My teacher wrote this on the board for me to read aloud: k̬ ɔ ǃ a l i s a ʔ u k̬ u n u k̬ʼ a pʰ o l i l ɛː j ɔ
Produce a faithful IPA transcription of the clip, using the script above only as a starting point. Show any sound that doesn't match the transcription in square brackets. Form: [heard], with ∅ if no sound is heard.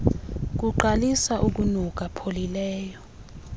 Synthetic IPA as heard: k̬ [u] ǃ a l i s a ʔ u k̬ u n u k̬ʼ a pʰ o l i l ɛː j ɔ